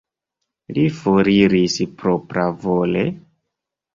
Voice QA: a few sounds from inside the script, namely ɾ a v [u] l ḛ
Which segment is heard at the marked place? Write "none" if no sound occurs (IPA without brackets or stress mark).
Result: o